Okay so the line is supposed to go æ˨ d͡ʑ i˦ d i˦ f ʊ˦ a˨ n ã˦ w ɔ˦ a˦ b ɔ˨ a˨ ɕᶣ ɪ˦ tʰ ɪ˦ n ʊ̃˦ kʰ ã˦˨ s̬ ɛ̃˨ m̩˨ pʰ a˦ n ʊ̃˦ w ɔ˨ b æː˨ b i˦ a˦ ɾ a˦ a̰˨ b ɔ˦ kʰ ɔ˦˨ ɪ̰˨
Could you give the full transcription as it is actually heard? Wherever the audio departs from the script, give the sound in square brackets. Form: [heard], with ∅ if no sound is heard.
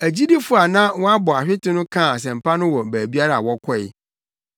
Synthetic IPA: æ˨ d͡ʑ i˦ d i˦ f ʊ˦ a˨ n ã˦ w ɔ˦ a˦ b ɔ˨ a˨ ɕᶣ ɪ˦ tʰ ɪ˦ n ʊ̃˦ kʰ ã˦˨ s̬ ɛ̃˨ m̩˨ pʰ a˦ n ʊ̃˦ w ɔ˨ b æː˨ b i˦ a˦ ɾ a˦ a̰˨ [w] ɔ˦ kʰ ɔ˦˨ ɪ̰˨